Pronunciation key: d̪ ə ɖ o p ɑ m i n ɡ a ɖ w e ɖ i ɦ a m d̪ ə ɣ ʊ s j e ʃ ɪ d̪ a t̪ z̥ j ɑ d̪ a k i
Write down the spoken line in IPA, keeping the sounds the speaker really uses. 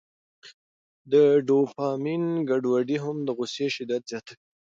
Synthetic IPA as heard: d̪ ə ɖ o p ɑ m i n ɡ a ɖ w a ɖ i ɦ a m d̪ ə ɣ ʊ s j e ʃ ɪ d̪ a t̪ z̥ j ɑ t̪ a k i